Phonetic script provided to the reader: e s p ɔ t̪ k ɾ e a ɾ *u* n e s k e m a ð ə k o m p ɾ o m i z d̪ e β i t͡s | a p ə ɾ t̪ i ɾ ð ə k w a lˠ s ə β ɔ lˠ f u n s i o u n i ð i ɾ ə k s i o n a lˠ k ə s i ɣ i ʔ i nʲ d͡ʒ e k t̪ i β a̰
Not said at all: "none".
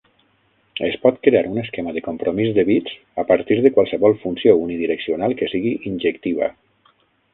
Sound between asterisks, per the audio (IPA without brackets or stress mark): u